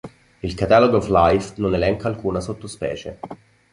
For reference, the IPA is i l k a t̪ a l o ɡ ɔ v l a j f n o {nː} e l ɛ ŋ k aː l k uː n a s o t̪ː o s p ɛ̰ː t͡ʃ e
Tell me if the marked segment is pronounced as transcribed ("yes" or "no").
no